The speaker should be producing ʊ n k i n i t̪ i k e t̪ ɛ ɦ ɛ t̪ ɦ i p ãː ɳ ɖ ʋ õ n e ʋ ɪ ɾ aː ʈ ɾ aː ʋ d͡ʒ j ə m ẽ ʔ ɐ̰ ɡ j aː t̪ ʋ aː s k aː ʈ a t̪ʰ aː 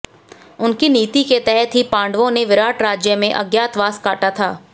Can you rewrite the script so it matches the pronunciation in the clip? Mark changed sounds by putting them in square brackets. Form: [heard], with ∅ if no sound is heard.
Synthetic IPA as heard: ʊ n k i n [iː] t̪ i k e t̪ ɛ ɦ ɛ t̪ ɦ i p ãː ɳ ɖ ʋ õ n e ʋ ɪ ɾ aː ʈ ɾ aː [∅] d͡ʒ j ə m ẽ ʔ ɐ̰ ɡ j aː t̪ ʋ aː s k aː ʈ a t̪ʰ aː